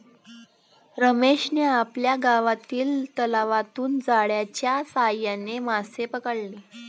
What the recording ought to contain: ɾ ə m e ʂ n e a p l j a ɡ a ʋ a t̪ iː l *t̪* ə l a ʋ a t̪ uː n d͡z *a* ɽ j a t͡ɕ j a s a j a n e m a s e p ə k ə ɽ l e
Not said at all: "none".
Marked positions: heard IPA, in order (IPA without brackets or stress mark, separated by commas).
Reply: t̪, a